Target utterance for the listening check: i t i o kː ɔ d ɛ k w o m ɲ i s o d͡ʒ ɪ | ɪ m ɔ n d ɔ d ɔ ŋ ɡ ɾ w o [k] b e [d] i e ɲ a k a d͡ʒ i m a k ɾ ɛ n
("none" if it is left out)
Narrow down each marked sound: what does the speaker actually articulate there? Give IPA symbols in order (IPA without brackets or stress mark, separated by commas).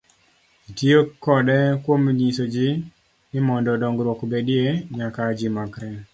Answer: k, d